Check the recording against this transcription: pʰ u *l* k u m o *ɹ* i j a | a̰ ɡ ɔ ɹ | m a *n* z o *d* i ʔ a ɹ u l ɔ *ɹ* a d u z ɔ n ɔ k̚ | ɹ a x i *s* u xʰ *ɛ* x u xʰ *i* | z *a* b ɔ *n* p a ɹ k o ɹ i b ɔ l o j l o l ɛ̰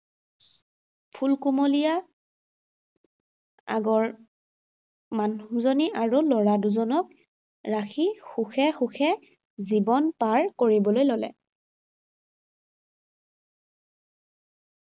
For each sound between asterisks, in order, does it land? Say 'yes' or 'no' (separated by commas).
yes, no, yes, no, yes, no, yes, no, no, yes